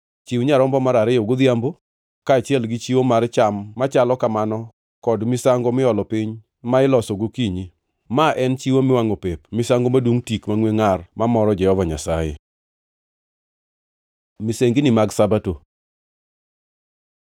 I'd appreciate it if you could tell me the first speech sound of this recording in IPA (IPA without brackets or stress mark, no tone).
t͡ʃ